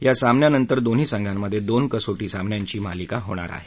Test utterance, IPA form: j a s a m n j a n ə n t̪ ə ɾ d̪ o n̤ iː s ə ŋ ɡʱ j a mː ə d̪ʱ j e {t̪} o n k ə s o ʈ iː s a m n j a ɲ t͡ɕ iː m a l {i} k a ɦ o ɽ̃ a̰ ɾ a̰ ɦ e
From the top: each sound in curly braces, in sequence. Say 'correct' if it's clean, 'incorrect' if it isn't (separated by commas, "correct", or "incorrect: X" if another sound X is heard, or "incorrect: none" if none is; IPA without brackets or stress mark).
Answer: incorrect: d̪, correct